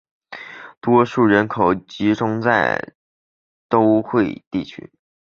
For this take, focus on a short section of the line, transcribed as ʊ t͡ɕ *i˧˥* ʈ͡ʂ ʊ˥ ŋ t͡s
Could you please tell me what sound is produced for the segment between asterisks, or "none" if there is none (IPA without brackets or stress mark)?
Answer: i˧˥